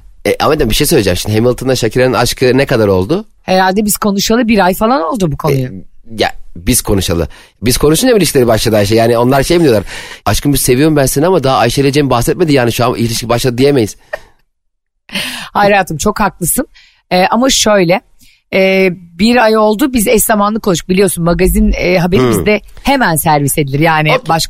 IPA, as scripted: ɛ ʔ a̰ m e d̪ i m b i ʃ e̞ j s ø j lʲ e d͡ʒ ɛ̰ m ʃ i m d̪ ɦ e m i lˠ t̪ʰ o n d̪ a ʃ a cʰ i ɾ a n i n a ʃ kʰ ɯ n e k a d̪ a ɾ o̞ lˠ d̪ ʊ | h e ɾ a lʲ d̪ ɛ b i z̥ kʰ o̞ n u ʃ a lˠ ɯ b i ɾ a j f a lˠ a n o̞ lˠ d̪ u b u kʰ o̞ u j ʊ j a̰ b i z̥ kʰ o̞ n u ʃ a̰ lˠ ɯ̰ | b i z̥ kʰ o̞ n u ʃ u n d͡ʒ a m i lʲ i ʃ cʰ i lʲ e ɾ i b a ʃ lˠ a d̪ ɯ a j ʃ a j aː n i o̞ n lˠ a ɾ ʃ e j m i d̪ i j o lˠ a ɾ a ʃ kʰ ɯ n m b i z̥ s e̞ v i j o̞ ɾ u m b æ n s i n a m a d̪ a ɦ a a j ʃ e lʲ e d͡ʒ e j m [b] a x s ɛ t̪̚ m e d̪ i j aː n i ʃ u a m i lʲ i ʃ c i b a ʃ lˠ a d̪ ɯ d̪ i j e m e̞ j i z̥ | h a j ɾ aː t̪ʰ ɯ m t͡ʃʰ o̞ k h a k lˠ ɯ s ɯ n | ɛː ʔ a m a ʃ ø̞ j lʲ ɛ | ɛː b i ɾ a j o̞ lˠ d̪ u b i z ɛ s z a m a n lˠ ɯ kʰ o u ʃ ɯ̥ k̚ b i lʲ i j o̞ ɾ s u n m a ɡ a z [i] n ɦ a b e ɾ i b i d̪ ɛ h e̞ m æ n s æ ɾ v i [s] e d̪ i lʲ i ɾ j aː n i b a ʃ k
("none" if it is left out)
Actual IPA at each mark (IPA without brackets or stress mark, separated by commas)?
b, i, s